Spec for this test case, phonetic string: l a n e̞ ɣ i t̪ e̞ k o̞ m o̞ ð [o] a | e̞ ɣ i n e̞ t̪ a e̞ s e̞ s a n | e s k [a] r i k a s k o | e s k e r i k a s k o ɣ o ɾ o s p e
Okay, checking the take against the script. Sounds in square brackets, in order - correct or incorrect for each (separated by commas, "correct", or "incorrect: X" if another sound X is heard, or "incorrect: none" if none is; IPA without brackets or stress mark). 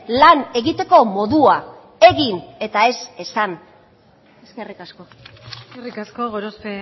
incorrect: u, incorrect: e